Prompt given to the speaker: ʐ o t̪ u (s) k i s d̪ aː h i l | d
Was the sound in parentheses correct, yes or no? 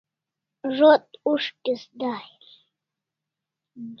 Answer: no